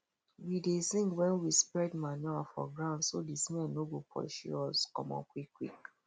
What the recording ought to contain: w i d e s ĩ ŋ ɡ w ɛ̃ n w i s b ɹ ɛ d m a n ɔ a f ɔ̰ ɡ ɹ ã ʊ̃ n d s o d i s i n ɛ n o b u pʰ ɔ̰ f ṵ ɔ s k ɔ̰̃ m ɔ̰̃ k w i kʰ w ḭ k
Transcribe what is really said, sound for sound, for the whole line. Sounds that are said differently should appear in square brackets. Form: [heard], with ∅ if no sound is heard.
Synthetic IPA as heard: w i d e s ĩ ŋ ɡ w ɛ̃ n w i s [p] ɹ ɛ d m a n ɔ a f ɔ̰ ɡ ɹ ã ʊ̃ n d s o d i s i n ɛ n o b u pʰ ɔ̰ [ʃ] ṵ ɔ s k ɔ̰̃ m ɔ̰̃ k w i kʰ w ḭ k